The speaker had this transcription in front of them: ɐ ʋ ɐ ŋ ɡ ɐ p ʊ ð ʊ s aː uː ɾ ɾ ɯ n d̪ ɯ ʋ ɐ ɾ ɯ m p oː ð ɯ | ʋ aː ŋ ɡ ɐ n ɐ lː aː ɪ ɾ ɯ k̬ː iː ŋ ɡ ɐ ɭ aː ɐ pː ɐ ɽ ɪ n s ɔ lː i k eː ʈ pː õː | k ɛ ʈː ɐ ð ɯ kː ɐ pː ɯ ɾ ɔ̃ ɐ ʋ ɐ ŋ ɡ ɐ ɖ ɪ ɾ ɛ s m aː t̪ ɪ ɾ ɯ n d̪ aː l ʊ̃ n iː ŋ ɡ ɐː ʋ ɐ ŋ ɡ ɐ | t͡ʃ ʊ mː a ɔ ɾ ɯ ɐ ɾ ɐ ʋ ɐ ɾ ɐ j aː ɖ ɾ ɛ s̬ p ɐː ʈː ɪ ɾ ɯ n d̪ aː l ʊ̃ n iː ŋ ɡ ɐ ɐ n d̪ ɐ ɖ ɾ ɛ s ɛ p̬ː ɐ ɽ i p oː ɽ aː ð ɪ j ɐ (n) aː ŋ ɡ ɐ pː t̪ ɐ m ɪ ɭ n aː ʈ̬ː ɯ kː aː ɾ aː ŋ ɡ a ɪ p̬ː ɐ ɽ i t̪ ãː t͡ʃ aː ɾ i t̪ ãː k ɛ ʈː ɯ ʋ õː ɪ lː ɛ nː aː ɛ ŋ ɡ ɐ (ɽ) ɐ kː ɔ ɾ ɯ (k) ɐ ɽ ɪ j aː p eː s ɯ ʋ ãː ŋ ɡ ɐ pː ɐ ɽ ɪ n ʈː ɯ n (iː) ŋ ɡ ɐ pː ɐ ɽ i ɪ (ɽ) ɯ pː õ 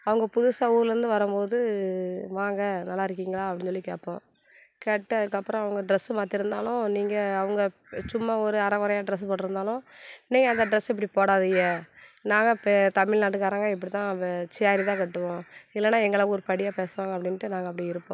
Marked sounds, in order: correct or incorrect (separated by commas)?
correct, incorrect, incorrect, incorrect, incorrect